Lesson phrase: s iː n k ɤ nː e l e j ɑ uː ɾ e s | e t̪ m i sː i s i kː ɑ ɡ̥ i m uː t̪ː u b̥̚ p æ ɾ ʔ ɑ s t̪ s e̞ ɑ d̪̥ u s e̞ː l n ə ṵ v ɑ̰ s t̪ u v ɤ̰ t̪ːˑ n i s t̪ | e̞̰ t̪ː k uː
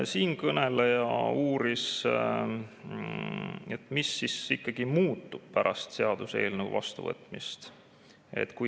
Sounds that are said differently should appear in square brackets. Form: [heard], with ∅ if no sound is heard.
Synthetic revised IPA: s iː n k ɤ [n] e l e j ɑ uː ɾ [i] s | e t̪ m i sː i s i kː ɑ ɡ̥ i m uː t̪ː u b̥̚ p æ ɾ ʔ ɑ s t̪ s e̞ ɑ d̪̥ u s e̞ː l n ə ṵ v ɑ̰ s t̪ u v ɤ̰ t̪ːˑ [m] i s t̪ | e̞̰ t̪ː k [u]